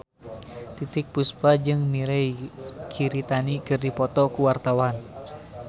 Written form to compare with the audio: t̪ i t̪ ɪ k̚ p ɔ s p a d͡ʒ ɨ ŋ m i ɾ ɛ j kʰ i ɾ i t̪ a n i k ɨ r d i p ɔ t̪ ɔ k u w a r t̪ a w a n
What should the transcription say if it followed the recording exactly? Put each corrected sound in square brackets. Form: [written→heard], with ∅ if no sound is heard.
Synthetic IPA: t̪ i t̪ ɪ k̚ p [ɔ→u] s p a d͡ʒ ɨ ŋ m i ɾ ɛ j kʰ i ɾ i t̪ a n i k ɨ r d i p ɔ t̪ ɔ k u w a r t̪ a w a n